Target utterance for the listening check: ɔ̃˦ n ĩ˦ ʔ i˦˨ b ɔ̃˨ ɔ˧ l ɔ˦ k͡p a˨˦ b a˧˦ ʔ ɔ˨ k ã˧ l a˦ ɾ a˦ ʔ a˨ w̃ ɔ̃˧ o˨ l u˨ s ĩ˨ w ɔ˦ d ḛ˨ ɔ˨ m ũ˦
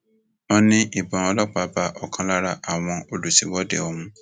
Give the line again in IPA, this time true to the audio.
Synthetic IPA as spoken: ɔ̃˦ n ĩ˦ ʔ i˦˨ b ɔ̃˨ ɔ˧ l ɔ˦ k͡p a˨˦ b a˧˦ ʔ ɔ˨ k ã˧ l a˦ ɾ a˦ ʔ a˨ w̃ ɔ̃˧ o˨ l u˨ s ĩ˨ w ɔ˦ d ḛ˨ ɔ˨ m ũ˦

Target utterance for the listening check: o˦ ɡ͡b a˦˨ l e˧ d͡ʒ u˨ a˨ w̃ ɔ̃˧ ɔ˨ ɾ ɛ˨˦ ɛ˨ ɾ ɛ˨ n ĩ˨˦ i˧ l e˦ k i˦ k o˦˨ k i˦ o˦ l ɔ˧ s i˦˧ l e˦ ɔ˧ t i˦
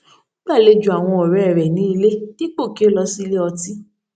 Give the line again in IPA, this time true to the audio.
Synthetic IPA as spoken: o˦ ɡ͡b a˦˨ l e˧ d͡ʒ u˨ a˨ w̃ ɔ̃˧ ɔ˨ ɾ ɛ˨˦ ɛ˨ ɾ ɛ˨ n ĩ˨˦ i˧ l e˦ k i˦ k͡p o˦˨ k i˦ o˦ l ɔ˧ s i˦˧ l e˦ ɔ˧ t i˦

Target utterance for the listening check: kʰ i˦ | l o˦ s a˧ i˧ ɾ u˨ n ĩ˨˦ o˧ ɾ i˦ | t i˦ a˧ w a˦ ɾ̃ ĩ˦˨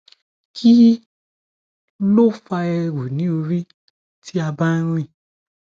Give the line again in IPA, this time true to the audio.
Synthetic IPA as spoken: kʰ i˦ | l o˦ f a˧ ɛ˧ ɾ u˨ n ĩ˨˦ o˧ ɾ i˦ | t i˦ a˧ b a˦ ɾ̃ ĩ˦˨

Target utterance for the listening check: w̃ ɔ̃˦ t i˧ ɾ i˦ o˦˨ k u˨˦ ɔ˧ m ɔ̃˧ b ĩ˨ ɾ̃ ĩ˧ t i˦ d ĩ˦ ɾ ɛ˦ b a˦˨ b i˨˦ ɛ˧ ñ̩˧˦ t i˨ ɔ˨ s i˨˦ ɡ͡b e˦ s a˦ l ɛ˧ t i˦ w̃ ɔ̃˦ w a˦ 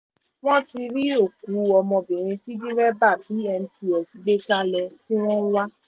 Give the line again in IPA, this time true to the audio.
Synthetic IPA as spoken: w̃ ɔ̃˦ t i˧ ɾ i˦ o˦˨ k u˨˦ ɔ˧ m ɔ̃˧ b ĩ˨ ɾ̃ ĩ˧ t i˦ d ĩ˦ ɾ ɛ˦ b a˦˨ b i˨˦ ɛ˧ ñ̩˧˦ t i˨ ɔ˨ s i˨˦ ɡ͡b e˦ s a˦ l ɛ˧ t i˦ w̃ ɔ̃˦ w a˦

